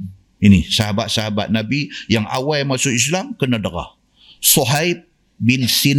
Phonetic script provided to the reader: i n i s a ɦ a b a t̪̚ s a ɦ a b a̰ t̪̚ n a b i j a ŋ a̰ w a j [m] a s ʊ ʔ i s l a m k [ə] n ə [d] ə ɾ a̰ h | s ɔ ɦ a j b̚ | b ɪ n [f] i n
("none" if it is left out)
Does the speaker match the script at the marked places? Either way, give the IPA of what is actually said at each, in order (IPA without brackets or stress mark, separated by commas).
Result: m, ə, d, s